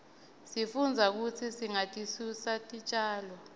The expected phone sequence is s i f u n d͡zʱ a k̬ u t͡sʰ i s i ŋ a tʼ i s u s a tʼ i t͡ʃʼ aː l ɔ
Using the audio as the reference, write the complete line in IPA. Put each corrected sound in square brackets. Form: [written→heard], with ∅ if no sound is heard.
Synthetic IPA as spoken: s i f u n d͡zʱ a k̬ u t͡sʰ i s i ŋ a tʼ i s u s a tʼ i t͡ʃʼ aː l ɔ